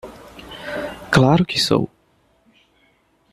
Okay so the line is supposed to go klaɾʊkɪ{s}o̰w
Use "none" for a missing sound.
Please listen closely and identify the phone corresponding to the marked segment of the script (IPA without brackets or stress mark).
s